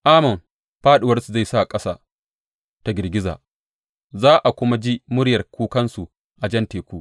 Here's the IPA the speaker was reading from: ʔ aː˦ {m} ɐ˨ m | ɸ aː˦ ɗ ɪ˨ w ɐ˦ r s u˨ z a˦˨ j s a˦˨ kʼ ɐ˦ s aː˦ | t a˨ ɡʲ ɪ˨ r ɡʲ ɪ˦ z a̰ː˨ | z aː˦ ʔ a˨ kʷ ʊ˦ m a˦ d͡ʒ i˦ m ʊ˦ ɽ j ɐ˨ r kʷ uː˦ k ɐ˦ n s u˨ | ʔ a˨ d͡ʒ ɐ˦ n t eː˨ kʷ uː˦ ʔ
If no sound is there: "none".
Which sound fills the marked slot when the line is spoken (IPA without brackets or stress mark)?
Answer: m